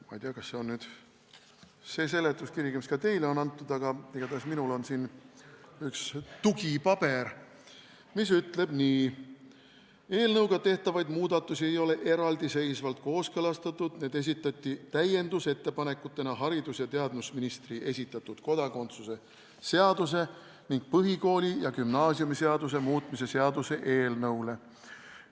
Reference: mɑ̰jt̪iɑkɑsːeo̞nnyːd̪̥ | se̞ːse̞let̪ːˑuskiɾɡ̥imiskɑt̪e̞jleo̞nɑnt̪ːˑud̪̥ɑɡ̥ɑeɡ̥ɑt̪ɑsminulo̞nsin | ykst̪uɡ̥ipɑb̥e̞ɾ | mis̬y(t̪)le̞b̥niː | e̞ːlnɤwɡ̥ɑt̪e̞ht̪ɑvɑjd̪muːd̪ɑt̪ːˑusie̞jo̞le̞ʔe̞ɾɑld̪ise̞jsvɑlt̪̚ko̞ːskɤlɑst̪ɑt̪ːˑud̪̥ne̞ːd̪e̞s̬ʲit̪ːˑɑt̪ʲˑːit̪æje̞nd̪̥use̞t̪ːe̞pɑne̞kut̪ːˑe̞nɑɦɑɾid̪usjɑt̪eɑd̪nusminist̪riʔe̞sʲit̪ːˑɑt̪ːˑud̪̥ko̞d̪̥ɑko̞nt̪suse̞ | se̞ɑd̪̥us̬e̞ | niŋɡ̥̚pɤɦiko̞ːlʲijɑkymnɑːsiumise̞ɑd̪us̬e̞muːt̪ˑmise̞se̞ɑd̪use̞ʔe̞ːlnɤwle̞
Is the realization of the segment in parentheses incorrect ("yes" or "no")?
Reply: no